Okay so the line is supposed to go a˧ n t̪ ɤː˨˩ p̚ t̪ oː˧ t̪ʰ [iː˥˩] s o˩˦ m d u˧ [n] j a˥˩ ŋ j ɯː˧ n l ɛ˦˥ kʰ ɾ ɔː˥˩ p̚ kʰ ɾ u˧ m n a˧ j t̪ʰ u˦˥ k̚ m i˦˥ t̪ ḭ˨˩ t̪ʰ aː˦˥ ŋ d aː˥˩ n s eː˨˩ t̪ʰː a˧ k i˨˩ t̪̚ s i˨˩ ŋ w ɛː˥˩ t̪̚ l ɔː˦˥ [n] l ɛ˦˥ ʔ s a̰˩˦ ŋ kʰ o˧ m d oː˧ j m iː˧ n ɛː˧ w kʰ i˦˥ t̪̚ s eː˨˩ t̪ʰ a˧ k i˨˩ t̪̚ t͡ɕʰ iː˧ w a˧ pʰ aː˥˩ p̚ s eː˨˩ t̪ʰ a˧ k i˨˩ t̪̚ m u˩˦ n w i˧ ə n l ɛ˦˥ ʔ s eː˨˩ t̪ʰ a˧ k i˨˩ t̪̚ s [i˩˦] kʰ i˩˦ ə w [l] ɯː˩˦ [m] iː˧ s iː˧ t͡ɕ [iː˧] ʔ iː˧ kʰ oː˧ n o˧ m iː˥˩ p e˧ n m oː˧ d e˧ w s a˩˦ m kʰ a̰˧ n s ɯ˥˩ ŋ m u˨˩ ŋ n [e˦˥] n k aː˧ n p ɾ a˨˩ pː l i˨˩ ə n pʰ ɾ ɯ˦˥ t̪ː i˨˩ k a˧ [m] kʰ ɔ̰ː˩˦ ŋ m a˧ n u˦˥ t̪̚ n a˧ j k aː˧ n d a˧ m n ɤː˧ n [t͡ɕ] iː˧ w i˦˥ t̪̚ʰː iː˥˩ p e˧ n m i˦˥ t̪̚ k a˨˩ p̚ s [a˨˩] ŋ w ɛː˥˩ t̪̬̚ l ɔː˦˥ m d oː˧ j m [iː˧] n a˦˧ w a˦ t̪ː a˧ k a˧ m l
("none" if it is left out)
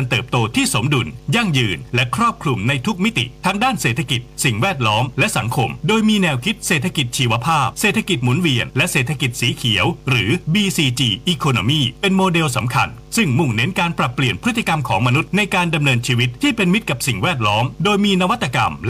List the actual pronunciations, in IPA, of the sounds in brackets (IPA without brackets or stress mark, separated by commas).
iː˥˩, n, m, iː˩˦, ɾ, b, iː˧, e˦˥, m, t͡ɕʰ, i˨˩, iː˧